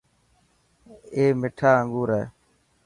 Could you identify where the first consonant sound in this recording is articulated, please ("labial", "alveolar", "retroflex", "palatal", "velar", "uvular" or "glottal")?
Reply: labial